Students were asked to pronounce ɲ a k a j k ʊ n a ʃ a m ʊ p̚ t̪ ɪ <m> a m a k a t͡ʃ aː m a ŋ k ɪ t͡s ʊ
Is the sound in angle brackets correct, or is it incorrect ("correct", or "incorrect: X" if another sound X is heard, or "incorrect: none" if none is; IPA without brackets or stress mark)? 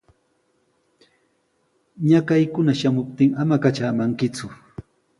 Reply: incorrect: ŋ